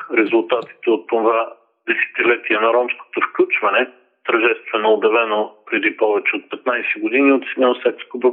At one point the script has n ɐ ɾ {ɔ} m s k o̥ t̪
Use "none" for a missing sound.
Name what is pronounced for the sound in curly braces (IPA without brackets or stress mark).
ɔ